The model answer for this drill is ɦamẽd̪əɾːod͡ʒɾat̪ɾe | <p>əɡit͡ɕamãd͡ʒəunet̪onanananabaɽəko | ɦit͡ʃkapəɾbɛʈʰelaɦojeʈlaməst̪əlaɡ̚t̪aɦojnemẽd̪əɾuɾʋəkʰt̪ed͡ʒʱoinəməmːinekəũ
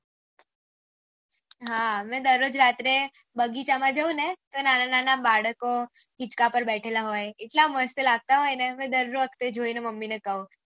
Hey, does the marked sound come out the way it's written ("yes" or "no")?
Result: no